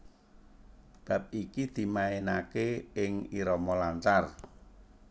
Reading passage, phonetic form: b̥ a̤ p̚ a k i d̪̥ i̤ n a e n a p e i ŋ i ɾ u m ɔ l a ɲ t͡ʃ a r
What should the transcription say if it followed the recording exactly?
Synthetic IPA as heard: b̥ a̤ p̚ i k i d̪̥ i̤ m a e n a k e ɪ ŋ i ɾ ɔ m ɔ l a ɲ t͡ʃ a r